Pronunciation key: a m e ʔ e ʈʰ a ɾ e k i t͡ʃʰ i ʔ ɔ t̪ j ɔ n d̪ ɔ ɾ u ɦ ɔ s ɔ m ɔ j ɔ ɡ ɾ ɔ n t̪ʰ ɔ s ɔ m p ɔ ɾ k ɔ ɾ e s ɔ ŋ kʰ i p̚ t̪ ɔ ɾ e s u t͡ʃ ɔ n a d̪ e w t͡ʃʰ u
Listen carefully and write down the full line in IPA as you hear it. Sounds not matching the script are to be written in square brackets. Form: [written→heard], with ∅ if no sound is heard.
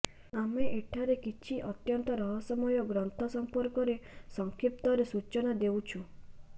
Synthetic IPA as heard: a m e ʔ e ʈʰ a ɾ e k i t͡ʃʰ i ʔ ɔ t̪ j ɔ n [d̪→t̪] ɔ ɾ [u→ɔ] ɦ ɔ s ɔ m ɔ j ɔ ɡ ɾ ɔ n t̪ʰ ɔ s ɔ m p ɔ ɾ k ɔ ɾ e s ɔ ŋ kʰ i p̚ t̪ ɔ ɾ e s u t͡ʃ ɔ n a d̪ e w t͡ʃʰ u